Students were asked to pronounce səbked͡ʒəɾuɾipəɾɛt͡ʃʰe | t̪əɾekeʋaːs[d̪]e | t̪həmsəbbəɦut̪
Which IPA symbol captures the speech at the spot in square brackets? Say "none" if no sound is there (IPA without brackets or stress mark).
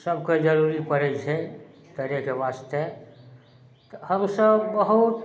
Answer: t̪